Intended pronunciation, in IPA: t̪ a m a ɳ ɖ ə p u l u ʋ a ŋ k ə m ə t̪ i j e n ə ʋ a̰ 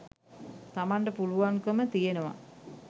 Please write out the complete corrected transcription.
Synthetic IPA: t̪ a m a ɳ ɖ ə p u l u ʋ a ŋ k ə m ə t̪ i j e n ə ʋ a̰